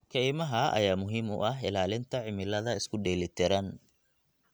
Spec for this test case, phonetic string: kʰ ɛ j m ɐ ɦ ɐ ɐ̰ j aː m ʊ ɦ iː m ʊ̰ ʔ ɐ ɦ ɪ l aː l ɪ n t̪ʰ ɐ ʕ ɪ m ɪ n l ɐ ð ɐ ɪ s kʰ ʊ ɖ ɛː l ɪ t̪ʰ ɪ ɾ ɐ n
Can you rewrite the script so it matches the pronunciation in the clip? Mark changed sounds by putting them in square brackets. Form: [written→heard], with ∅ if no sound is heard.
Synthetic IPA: kʰ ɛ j m ɐ ɦ ɐ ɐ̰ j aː m ʊ ɦ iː m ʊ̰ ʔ ɐ ɦ ɪ l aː l ɪ n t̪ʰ ɐ ʕ ɪ m ɪ [n→∅] l ɐ ð ɐ ɪ s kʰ ʊ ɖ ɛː l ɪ t̪ʰ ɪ ɾ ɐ n